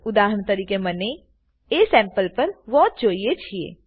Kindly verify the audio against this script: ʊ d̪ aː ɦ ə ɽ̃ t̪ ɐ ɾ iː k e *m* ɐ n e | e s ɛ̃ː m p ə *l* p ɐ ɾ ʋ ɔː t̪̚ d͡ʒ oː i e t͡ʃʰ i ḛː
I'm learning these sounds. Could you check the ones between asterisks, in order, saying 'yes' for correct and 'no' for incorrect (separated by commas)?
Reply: yes, yes